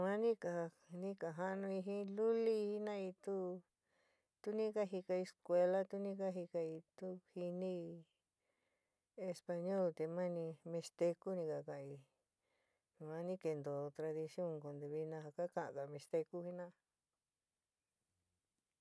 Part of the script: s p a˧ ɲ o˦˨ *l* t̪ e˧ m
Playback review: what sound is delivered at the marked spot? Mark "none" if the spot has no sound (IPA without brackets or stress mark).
l